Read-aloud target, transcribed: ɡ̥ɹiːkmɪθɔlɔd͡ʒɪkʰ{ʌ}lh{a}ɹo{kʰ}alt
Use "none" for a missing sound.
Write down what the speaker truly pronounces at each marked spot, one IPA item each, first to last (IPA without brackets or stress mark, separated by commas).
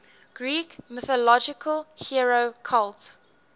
ə, i, kʰ